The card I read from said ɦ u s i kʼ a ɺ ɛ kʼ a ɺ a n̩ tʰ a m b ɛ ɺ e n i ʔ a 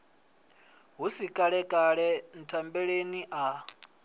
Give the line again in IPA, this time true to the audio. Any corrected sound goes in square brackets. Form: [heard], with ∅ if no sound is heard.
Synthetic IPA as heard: ɦ u s i kʼ a ɺ ɛ kʼ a ɺ [ɛ] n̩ tʰ a m b ɛ ɺ e n i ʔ a